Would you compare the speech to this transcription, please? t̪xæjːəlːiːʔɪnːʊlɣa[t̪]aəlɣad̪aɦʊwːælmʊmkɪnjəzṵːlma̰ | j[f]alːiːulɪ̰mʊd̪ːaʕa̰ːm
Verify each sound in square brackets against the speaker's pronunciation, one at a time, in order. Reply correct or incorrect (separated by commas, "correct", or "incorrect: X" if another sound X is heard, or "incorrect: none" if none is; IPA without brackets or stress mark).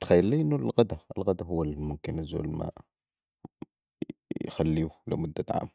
incorrect: d̪, incorrect: x